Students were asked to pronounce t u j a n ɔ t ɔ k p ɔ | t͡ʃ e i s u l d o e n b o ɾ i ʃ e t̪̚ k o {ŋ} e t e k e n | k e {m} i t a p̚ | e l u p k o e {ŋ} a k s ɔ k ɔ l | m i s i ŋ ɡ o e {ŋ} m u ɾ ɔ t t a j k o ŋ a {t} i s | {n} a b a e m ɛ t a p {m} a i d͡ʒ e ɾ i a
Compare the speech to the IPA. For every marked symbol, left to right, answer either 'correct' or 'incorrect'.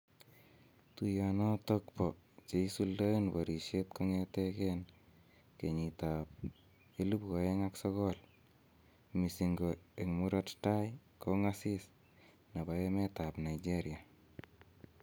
correct, incorrect: ɲ, correct, correct, incorrect: s, correct, incorrect: n

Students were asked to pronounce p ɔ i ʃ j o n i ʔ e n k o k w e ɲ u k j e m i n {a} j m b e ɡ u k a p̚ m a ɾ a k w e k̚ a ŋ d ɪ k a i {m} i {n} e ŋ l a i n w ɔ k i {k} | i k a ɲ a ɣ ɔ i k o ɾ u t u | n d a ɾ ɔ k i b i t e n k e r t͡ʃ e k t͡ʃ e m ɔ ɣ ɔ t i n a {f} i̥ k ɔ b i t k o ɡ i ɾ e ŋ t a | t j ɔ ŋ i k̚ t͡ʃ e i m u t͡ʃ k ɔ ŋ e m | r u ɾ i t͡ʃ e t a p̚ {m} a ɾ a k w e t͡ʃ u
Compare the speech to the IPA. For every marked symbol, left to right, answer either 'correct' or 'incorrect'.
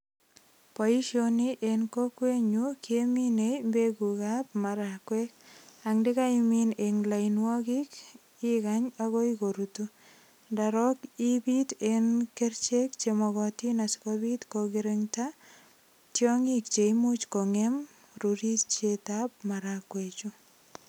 incorrect: e, correct, correct, correct, incorrect: s, correct

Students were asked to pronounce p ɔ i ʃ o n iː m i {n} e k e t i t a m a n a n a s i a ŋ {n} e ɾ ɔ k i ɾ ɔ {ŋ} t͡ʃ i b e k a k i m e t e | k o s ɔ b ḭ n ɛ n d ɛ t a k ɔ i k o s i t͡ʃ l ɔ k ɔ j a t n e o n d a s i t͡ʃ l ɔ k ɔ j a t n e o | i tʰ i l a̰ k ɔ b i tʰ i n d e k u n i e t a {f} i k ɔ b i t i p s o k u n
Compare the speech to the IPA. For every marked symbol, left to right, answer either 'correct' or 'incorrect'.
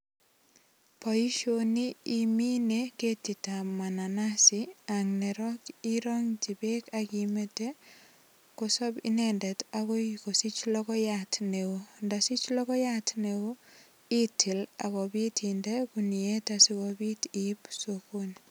correct, correct, correct, incorrect: s

